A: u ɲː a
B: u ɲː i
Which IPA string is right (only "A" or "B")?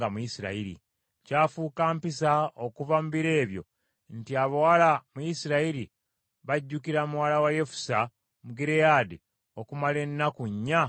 A